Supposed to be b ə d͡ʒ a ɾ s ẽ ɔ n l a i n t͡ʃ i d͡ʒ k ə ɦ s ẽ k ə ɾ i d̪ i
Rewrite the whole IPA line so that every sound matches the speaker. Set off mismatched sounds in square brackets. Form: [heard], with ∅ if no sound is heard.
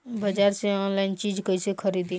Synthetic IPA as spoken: b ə d͡ʒ a ɾ s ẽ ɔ n l a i n t͡ʃ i d͡ʒ k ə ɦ s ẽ [kʰ] ə ɾ i d̪ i